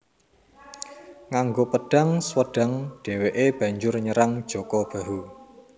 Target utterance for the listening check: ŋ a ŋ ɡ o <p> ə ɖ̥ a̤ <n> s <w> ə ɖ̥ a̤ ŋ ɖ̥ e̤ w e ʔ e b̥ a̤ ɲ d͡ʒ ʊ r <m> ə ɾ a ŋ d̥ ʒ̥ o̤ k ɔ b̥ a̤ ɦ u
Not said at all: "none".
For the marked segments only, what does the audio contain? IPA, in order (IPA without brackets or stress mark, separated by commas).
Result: p, ŋ, w, ɲ